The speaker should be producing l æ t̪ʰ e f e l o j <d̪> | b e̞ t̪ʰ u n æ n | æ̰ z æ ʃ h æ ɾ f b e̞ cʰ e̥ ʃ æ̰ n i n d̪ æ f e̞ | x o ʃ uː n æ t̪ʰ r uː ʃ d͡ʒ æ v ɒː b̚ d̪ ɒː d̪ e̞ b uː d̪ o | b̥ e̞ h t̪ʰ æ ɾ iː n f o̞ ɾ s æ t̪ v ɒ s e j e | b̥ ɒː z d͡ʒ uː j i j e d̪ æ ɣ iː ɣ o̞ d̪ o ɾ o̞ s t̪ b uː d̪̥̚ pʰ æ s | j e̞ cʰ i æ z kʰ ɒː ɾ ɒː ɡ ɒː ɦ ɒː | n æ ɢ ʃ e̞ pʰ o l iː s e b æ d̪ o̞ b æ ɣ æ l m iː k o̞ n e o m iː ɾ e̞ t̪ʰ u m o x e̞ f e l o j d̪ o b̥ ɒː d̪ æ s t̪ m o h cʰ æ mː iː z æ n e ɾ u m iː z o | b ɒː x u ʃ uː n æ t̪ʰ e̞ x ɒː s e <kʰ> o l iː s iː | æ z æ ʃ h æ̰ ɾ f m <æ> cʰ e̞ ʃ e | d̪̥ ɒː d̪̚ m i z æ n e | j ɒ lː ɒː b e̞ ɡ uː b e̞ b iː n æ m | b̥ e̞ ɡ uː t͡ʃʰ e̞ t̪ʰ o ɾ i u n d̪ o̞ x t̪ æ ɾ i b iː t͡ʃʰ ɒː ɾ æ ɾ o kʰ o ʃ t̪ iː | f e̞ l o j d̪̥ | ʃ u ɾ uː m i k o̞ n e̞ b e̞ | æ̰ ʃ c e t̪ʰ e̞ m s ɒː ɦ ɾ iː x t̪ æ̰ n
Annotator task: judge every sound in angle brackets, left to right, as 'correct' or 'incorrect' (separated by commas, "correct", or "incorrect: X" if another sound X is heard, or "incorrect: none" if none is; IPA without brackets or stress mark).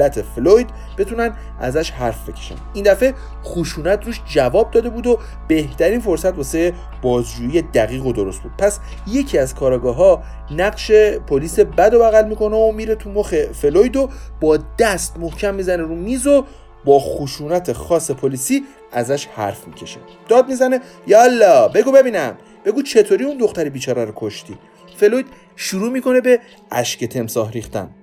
correct, incorrect: pʰ, incorrect: i